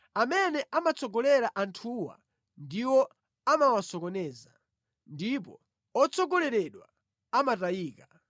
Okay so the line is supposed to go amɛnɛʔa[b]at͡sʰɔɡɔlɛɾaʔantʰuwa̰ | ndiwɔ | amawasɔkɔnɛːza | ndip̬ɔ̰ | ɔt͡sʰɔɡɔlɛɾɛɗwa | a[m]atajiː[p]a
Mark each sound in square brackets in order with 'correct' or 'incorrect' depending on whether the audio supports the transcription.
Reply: incorrect: m, correct, incorrect: k

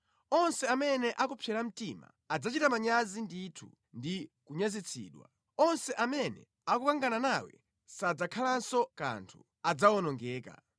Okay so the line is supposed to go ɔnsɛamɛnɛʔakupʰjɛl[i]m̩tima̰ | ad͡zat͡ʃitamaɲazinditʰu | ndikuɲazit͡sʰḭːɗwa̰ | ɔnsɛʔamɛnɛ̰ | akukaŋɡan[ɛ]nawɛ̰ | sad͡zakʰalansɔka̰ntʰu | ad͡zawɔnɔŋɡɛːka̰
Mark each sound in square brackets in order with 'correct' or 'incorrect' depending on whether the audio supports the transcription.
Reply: incorrect: a, incorrect: a

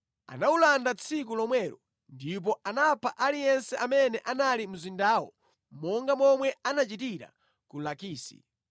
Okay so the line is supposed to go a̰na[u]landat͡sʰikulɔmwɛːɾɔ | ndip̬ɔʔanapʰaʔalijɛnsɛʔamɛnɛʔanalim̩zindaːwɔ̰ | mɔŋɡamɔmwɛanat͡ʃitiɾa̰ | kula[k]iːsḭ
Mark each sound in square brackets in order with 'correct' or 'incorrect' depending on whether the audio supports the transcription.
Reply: correct, correct

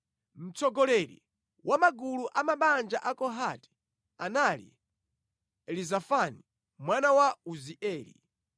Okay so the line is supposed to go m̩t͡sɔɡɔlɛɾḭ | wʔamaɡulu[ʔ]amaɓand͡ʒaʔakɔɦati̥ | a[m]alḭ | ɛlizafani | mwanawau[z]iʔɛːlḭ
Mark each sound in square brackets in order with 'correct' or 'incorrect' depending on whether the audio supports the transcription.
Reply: correct, incorrect: n, correct

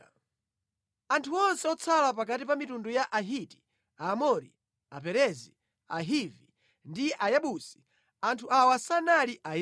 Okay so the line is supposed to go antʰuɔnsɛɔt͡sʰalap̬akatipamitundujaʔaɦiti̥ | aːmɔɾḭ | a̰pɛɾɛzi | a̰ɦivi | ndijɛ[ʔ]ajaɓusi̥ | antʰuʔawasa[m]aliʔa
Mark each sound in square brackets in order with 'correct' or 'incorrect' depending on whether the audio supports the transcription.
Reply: correct, incorrect: n

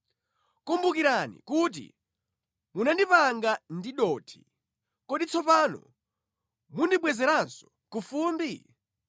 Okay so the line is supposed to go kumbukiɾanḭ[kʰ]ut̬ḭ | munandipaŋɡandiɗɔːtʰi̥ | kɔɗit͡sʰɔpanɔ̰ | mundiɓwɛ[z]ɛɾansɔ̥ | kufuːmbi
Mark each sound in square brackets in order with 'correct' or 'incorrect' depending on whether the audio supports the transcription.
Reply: incorrect: k, correct

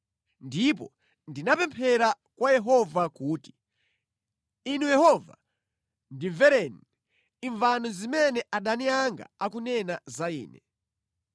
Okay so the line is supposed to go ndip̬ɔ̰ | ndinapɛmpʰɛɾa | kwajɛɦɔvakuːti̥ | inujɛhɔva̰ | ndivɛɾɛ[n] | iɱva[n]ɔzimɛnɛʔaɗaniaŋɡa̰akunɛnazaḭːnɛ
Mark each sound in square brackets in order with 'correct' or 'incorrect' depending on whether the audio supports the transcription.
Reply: correct, correct

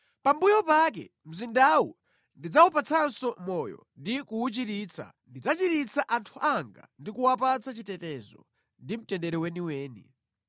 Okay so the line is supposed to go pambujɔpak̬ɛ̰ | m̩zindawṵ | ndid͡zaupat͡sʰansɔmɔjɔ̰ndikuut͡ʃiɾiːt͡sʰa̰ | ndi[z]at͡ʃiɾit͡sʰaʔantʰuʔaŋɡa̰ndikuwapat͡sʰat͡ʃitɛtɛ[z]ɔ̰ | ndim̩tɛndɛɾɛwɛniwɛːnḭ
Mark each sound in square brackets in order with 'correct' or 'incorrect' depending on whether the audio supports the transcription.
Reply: incorrect: d͡z, correct

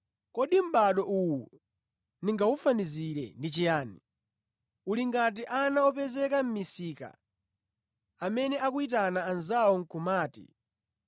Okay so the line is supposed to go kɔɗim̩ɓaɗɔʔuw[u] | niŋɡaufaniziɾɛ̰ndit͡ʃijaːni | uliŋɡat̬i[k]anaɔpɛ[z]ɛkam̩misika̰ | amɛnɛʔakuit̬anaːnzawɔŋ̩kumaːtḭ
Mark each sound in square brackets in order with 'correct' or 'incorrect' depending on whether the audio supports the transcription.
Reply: correct, incorrect: ʔ, correct

